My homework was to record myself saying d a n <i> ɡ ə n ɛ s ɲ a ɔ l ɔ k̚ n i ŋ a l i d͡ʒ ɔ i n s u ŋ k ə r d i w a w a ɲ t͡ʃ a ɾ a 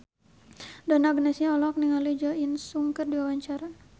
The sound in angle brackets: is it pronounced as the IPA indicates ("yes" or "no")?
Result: no